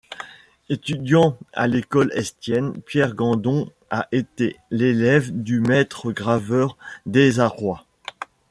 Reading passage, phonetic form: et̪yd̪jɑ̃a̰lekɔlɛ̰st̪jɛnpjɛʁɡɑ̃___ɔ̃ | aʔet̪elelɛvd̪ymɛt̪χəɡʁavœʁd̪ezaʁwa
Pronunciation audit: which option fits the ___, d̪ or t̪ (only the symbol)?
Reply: d̪